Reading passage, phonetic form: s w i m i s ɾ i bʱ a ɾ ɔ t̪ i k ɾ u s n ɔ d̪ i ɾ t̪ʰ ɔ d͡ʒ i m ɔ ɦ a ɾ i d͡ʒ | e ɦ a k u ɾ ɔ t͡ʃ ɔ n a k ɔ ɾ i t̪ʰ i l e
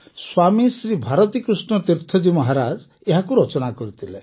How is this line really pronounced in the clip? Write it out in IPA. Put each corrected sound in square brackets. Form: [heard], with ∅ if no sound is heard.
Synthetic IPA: s w [a] m i s ɾ i bʱ a ɾ ɔ t̪ i k ɾ u s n ɔ [t̪] i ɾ t̪ʰ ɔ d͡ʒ i m ɔ ɦ a ɾ [a] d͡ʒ | e ɦ a k u ɾ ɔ t͡ʃ ɔ n a k ɔ ɾ i t̪ʰ i l e

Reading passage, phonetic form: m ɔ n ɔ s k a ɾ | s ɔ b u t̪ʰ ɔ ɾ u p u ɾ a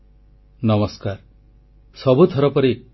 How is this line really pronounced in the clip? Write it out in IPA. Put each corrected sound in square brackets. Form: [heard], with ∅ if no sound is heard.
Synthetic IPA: [n] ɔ [m] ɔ s k a ɾ | s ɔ b u t̪ʰ ɔ ɾ [ɔ] p [ɔ] ɾ [i]

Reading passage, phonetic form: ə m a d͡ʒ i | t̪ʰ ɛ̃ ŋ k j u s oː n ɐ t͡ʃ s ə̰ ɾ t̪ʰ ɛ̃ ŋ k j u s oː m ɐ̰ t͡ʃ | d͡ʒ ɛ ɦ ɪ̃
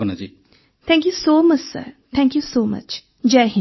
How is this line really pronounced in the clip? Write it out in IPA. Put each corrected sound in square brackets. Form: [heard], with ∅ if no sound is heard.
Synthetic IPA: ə [n] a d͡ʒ i | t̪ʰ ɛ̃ ŋ k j u s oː [m] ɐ t͡ʃ s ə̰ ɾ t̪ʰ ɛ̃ ŋ k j u s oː m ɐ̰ t͡ʃ | d͡ʒ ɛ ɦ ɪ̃

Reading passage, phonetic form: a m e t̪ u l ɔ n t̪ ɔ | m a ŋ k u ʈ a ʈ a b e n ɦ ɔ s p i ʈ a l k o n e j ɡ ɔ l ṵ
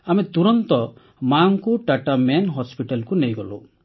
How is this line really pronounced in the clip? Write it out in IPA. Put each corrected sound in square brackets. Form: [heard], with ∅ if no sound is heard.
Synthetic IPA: a m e t̪ u [ɾ] ɔ n t̪ ɔ | m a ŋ k u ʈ a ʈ a [m] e n ɦ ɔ s p i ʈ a l k [u] n e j ɡ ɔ l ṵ

